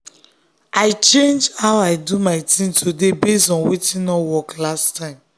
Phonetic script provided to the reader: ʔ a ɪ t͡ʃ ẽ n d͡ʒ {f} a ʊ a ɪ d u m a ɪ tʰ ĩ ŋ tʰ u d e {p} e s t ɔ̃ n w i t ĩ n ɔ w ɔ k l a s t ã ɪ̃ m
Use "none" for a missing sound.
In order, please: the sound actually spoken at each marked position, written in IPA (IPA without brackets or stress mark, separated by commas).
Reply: h, b